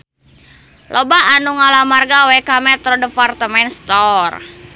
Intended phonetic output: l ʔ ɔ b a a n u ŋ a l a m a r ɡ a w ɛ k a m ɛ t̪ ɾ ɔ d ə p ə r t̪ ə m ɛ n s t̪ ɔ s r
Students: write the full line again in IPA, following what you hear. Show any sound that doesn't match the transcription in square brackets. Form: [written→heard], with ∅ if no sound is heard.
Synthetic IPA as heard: l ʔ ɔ b a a n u ŋ a l a m a r ɡ a w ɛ k a m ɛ t̪ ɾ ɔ d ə p [ə→a] r t̪ ə m ɛ n s t̪ ɔ [s→∅] r

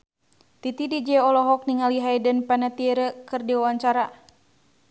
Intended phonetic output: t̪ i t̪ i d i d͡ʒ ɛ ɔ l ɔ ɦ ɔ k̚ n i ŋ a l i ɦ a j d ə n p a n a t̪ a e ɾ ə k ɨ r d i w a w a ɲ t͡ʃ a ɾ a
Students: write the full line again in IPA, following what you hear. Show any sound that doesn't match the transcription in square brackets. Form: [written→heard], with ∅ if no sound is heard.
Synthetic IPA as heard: t̪ i t̪ i d i d͡ʒ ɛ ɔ l ɔ ɦ ɔ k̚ n i ŋ a l i ɦ a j d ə n p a n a t̪ [a→i] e ɾ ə k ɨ r d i w a w a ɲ t͡ʃ a ɾ a

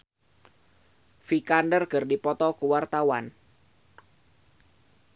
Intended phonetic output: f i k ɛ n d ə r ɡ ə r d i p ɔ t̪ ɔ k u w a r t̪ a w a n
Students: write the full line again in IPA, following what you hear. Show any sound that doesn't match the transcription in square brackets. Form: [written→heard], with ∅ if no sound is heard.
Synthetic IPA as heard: f i k [ɛ→a] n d ə r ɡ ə r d i p ɔ t̪ ɔ k u w a r t̪ a w a n

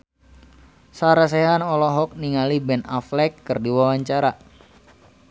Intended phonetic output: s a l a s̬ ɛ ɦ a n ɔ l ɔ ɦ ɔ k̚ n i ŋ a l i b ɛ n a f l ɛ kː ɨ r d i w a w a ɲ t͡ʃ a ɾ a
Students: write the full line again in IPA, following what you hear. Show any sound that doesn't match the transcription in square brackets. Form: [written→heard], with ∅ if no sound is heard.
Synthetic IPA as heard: s a [l→ɾ] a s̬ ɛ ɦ a n ɔ l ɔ ɦ ɔ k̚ n i ŋ a l i b ɛ n a f l ɛ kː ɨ r d i w a w a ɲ t͡ʃ a ɾ a

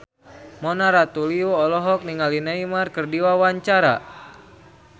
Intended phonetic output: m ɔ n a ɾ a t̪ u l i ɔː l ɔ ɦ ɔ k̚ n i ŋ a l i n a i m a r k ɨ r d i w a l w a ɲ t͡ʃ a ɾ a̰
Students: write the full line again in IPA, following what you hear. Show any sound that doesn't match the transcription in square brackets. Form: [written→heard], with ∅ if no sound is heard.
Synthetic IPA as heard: m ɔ n a ɾ a t̪ u l i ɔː l ɔ ɦ ɔ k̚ n i ŋ a l i n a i m a r k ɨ r d i w a [l→∅] w a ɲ t͡ʃ a ɾ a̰

